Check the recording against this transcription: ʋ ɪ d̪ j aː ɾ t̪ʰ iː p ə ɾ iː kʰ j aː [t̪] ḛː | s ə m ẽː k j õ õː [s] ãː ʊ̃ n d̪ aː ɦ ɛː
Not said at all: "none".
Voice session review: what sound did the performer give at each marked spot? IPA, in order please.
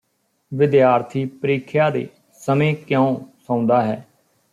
d̪, s

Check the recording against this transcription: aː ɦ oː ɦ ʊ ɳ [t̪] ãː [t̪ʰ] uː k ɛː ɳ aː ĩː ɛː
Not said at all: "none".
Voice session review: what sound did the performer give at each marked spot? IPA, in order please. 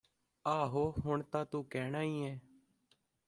t̪, t̪

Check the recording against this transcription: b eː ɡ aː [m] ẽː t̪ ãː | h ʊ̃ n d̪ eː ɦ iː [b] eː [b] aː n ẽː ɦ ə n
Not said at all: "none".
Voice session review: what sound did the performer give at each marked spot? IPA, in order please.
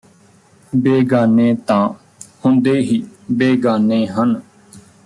n, b, ɡ

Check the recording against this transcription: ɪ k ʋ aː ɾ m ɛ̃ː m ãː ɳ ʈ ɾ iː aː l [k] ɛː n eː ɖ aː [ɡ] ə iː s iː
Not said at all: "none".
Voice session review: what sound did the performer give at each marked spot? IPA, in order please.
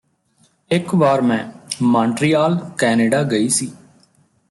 k, ɡ

